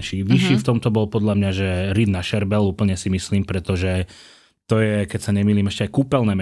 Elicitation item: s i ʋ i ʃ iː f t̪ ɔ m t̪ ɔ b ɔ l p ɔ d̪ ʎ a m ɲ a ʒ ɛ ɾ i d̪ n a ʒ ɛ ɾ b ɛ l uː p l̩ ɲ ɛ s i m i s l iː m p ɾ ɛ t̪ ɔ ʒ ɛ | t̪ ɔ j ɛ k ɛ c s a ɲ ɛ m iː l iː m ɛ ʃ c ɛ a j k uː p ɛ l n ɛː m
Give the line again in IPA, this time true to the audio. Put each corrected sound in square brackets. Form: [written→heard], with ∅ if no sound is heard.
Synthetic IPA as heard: [s→ʃ] i ʋ i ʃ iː f t̪ ɔ m t̪ ɔ b ɔ l p ɔ d̪ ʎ a m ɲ a ʒ ɛ ɾ i d̪ n a [ʒ→ʃ] ɛ ɾ b ɛ l uː p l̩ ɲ ɛ s i m i s l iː m p ɾ ɛ t̪ ɔ ʒ ɛ | t̪ ɔ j ɛ k ɛ c s a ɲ ɛ m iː l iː m ɛ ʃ c ɛ a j k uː p ɛ l n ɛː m